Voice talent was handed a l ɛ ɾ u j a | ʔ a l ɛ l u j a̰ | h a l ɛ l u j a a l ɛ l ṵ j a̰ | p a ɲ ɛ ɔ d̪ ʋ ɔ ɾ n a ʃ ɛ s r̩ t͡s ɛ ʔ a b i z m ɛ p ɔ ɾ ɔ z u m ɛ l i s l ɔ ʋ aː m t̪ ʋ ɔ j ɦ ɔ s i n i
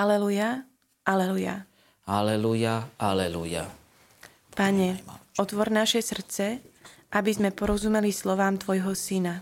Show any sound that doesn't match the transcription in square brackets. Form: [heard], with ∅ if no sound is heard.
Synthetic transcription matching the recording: a l ɛ [l] u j a | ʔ a l ɛ l u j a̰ | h a l ɛ l u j a a l ɛ l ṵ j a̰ | p a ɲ ɛ ɔ [t̪] ʋ ɔ ɾ n a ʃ ɛ s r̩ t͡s ɛ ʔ a b i z m ɛ p ɔ ɾ ɔ z u m ɛ l i s l ɔ ʋ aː m t̪ ʋ ɔ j ɦ ɔ s i n [a]